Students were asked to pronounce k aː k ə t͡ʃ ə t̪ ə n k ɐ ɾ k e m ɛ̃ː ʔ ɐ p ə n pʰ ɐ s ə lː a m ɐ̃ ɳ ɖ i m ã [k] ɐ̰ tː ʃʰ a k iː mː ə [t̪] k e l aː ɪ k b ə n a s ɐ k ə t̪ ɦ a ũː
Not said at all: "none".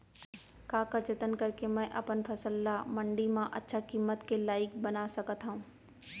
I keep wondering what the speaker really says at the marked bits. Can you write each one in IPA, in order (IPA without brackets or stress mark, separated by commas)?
ʔ, t̪